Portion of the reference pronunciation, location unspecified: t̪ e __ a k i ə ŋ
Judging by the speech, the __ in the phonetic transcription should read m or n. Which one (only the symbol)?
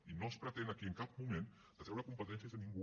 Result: n